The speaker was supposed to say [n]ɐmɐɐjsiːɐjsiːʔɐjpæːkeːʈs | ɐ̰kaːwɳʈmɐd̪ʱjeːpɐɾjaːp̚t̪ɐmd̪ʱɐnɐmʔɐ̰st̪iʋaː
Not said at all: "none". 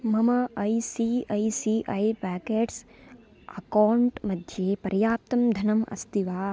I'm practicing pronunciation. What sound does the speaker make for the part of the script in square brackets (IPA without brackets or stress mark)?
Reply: m